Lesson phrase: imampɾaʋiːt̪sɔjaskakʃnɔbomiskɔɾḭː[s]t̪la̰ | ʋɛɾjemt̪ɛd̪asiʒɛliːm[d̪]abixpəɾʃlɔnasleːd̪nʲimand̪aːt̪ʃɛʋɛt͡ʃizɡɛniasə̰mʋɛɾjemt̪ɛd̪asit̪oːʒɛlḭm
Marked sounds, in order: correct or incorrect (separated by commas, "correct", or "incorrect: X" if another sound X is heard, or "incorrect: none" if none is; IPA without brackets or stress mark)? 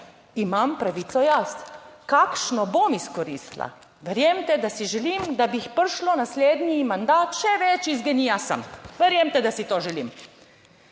correct, correct